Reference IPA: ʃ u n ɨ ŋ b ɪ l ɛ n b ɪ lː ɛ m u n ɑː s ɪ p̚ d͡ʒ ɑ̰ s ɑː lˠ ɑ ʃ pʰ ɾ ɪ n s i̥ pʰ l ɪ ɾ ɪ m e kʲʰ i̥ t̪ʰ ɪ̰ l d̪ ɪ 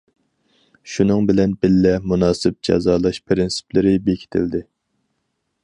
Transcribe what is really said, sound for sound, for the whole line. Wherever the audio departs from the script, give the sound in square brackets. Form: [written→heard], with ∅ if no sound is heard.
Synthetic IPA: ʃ u n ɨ ŋ b ɪ l ɛ n b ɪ lː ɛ m u n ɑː s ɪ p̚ d͡ʒ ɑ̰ [s→z] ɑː lˠ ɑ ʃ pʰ ɾ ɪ n s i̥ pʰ l ɪ ɾ ɪ [m→b] e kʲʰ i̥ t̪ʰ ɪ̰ l d̪ ɪ